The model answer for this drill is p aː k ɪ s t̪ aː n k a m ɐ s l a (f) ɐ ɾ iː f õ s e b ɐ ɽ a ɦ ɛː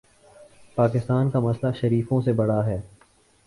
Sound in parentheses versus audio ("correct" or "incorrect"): incorrect